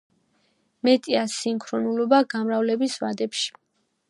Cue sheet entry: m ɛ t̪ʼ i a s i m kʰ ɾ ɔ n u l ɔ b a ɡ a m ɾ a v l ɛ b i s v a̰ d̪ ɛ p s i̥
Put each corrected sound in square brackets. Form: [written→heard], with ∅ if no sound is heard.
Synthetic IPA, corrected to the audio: m ɛ t̪ʼ i a s i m kʰ ɾ ɔ n u l ɔ b a ɡ a m ɾ a v l ɛ b i s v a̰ d̪ ɛ p [s→ʃ] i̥